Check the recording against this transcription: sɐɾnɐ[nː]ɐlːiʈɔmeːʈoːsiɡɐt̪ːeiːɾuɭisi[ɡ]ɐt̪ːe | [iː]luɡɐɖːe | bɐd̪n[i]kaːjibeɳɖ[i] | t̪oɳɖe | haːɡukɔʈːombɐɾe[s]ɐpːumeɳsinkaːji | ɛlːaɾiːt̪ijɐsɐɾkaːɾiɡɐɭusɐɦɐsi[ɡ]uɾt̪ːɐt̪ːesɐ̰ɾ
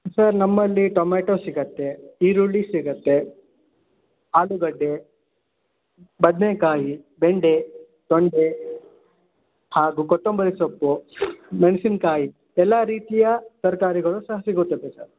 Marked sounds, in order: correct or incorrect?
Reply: incorrect: mː, correct, incorrect: aː, incorrect: e, incorrect: e, correct, correct

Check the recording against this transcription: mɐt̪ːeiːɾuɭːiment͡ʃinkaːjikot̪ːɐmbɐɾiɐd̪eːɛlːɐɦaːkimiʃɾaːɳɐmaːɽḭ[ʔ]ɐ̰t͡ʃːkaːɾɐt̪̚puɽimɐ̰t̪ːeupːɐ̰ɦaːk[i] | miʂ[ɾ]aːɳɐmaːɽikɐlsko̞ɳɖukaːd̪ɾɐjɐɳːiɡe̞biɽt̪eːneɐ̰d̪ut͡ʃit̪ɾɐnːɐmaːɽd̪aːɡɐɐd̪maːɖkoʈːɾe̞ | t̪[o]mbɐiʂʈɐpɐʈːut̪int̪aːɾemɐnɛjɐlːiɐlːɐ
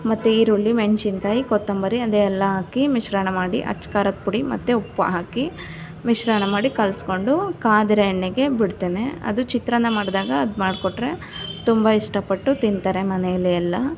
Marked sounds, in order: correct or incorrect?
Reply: correct, correct, correct, incorrect: u

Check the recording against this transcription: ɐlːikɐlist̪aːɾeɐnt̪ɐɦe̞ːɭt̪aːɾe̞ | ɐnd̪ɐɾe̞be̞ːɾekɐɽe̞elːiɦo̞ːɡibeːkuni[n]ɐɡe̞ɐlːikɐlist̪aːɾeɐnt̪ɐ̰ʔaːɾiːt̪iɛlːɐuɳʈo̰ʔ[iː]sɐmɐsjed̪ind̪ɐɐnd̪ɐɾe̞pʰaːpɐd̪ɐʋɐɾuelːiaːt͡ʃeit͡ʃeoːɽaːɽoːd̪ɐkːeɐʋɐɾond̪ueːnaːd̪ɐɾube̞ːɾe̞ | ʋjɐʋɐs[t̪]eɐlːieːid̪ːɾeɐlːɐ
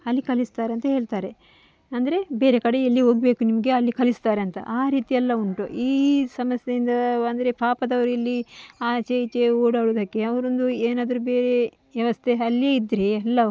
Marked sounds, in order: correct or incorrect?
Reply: incorrect: m, correct, incorrect: t̪ʰ

